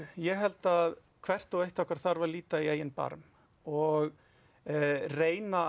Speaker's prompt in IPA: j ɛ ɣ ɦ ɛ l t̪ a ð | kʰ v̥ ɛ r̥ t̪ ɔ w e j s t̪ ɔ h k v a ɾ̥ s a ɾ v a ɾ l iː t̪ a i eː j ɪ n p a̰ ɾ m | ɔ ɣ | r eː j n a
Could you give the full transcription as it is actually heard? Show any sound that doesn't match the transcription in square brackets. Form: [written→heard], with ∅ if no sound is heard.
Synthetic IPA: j ɛ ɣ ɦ ɛ l t̪ a ð | kʰ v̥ ɛ r̥ t̪ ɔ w e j [s→h] t̪ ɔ h k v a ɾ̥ [s→θ] a ɾ v a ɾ l iː t̪ a i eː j ɪ n p a̰ ɾ m | ɔ ɣ | r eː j n a